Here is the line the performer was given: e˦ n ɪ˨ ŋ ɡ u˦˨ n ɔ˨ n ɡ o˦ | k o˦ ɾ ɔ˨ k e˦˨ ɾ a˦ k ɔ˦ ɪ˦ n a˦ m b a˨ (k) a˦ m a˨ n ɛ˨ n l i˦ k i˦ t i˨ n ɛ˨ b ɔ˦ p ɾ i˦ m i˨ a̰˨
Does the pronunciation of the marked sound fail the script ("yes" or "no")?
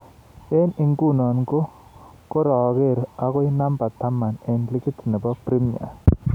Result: yes